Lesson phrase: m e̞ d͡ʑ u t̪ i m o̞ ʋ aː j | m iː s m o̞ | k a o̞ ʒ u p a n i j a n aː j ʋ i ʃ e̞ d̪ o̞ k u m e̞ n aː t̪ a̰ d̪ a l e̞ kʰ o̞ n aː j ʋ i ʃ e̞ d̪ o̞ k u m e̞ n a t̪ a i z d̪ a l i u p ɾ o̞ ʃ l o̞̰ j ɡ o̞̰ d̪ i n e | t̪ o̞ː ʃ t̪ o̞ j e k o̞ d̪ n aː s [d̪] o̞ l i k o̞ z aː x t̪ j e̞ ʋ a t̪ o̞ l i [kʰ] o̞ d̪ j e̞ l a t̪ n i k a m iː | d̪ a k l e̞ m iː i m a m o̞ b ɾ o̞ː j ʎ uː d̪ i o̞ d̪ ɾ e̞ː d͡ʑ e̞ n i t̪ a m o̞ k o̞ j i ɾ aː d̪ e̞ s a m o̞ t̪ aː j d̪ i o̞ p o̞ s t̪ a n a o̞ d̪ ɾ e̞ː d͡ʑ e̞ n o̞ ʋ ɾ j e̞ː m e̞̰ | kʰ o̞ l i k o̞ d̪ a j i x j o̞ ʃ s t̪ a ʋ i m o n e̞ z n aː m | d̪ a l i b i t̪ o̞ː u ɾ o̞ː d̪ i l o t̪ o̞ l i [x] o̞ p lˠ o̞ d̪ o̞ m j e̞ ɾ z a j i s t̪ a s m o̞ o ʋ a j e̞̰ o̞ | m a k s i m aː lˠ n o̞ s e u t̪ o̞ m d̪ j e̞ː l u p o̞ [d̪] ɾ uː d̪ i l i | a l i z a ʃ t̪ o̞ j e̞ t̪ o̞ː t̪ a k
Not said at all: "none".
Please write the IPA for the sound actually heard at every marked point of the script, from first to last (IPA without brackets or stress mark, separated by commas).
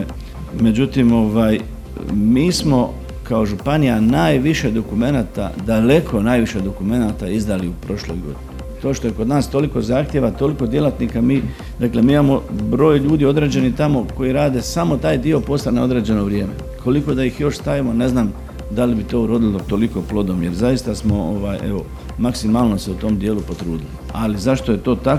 t̪, k, k, t̪